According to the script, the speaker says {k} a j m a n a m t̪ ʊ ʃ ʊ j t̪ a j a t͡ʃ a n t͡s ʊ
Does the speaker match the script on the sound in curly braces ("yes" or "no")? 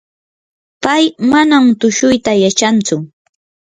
no